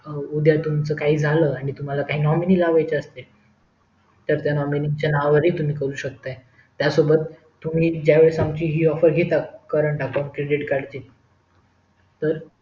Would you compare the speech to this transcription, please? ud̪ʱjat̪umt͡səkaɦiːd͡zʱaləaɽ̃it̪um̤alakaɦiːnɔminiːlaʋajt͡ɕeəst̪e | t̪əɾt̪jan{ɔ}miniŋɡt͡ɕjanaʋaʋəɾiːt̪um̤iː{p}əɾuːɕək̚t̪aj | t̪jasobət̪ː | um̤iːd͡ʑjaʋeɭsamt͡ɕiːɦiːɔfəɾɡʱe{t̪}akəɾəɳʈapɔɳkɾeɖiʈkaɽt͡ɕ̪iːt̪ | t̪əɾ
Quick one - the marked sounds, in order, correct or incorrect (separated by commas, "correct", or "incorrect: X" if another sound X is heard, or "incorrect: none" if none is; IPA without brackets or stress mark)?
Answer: correct, incorrect: k, correct